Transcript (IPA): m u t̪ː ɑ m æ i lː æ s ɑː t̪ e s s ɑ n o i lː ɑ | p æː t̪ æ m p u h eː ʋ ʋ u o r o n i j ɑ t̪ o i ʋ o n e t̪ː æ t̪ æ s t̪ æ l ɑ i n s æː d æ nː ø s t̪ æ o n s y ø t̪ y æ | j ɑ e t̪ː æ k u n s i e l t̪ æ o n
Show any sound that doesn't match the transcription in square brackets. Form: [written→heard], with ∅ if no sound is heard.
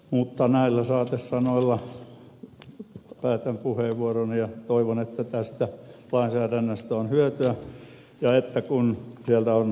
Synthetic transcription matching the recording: m u t̪ː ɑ [m→n] æ i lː æ s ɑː t̪ e s s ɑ n o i lː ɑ | p æː t̪ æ m p u h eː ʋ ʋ u o r o n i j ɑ t̪ o i ʋ o n e t̪ː æ t̪ æ s t̪ æ l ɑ i n s æː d æ nː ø s t̪ æ o n [s→h] y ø t̪ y æ | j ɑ e t̪ː æ k u n s i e l t̪ æ o n